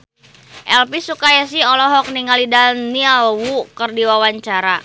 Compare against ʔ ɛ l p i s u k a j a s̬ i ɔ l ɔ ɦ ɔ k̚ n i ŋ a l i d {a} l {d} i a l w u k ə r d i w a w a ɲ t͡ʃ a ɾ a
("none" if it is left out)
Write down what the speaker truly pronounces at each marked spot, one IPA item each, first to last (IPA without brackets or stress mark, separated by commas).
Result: a, n